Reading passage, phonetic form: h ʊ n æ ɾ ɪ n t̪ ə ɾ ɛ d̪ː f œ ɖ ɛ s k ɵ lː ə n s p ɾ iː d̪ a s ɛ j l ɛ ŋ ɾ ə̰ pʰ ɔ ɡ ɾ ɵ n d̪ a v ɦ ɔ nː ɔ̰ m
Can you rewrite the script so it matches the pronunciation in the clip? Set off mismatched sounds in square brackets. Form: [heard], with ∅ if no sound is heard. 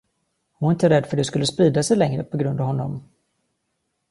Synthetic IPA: h ʊ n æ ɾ ɪ n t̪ ə ɾ ɛ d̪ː f œ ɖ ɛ s k ɵ lː ə [∅] s p ɾ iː d̪ a s ɛ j l ɛ ŋ ɾ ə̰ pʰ ɔ ɡ ɾ ɵ n d̪ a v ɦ ɔ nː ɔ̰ m